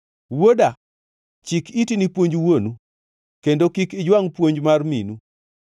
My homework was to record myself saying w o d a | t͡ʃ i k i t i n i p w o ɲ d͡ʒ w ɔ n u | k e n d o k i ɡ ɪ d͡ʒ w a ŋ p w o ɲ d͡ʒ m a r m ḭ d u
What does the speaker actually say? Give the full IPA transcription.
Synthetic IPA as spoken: w o d a | t͡ʃ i k i t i n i p w o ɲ d͡ʒ w o n u | k e n d o k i k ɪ d͡ʒ w a ŋ p w o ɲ d͡ʒ m a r m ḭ n u